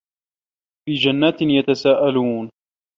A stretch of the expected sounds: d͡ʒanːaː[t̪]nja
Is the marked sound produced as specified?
yes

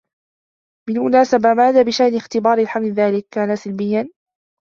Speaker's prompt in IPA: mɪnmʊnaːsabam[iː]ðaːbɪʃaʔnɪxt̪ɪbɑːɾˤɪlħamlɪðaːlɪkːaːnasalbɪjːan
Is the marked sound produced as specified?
no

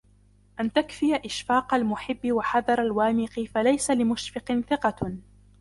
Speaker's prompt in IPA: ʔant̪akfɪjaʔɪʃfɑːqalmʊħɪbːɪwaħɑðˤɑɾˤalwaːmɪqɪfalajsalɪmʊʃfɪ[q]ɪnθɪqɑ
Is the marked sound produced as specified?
yes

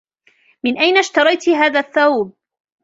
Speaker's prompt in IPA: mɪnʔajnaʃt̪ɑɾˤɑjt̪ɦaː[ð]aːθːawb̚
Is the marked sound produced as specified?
yes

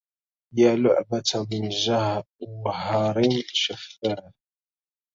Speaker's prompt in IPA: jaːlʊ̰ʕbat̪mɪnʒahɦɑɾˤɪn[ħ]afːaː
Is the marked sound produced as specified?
no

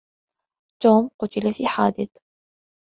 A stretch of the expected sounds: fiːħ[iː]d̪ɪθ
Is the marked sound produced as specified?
no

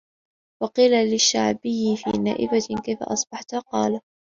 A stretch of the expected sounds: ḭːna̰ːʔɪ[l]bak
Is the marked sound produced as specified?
no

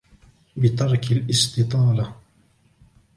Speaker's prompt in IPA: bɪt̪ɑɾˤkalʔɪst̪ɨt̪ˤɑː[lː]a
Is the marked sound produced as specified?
no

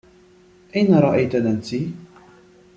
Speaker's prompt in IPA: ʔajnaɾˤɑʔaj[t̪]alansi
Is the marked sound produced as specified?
yes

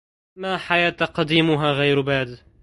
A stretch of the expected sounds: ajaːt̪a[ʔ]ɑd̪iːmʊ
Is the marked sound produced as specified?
no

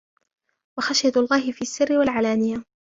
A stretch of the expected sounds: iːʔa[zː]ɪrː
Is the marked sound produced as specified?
no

